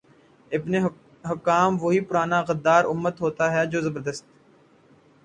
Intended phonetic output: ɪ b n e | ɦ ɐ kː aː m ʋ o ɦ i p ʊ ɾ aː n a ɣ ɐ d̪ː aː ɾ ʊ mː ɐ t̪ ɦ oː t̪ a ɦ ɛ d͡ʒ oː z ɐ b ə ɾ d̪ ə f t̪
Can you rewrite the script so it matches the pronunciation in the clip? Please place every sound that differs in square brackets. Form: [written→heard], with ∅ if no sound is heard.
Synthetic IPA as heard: ɪ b n e | ɦ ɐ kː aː m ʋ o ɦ i p ʊ ɾ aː n a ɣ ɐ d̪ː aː ɾ ʊ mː [ɐ→ə] t̪ ɦ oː t̪ a ɦ ɛ d͡ʒ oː z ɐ b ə ɾ d̪ ə [f→s] t̪